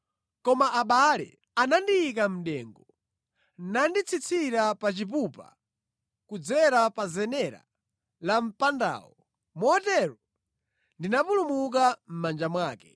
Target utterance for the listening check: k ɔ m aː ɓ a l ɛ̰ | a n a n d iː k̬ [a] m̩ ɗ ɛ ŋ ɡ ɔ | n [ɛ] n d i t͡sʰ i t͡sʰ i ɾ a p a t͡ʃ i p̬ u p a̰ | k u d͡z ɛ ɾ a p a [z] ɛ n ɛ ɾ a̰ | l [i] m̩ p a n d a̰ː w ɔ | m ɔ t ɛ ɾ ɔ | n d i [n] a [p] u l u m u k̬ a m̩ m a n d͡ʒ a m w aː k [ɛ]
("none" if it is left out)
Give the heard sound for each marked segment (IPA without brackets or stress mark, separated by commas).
a, a, z, a, n, p, ɛ